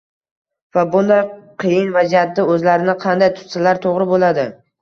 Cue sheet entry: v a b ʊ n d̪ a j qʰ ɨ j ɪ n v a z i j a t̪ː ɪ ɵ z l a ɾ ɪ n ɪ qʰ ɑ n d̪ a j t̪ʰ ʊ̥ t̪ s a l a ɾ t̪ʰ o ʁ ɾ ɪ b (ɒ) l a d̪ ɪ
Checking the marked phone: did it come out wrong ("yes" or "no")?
yes